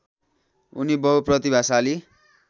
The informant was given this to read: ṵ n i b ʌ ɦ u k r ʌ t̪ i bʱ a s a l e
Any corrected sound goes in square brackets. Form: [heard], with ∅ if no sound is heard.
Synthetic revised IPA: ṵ n i b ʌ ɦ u [p] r ʌ t̪ i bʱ a s a l [i]